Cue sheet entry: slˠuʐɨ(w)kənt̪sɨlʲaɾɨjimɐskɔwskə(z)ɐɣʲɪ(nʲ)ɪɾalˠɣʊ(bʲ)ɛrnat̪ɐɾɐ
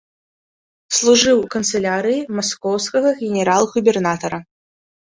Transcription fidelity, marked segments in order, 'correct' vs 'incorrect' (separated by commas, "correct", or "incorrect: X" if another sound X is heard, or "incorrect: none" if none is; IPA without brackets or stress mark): correct, incorrect: ɣ, correct, correct